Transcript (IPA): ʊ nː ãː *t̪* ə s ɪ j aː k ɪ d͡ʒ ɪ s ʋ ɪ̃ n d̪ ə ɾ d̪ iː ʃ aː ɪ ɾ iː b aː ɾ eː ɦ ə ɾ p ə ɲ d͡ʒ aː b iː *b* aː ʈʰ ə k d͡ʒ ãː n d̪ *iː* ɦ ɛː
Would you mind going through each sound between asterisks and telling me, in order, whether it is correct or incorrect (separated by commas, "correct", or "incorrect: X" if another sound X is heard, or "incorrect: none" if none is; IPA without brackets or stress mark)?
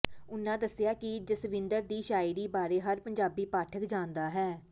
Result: incorrect: d̪, incorrect: p, incorrect: aː